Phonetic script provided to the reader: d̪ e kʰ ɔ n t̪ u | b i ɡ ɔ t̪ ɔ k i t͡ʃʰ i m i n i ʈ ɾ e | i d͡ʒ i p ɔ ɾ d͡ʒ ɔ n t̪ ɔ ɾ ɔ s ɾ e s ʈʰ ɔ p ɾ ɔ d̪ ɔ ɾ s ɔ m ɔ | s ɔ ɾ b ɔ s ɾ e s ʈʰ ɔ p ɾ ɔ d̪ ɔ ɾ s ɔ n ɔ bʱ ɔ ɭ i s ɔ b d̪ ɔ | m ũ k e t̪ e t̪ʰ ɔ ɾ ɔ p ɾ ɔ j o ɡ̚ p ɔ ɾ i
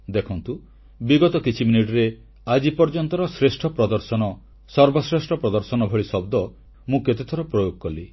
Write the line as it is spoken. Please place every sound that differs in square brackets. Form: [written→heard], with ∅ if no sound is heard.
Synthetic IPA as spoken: d̪ e kʰ ɔ n t̪ u | b i ɡ ɔ t̪ ɔ k i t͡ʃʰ i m i n i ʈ ɾ e | [i→a] d͡ʒ i p ɔ ɾ d͡ʒ ɔ n t̪ ɔ ɾ ɔ s ɾ e s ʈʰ ɔ p ɾ ɔ d̪ ɔ ɾ s ɔ [m→n] ɔ | s ɔ ɾ b ɔ s ɾ e s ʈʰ ɔ p ɾ ɔ d̪ ɔ ɾ s ɔ n ɔ bʱ ɔ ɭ i s ɔ b d̪ ɔ | m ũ k e t̪ e t̪ʰ ɔ ɾ ɔ p ɾ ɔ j o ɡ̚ [p→k] ɔ [ɾ→l] i